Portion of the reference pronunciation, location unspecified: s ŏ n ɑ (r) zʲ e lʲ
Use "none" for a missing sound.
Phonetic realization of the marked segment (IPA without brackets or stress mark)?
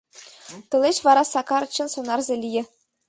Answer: r